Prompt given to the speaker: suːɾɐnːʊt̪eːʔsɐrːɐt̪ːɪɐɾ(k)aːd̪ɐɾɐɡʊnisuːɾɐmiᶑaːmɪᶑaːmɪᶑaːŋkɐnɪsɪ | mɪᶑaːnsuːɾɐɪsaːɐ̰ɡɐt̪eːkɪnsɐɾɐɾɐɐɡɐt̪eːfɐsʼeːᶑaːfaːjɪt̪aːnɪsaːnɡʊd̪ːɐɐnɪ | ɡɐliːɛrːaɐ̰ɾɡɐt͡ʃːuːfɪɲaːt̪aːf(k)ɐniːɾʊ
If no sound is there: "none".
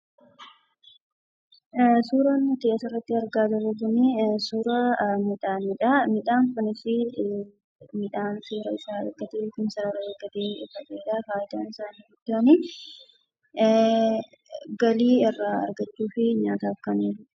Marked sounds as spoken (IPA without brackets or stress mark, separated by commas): ɡ, k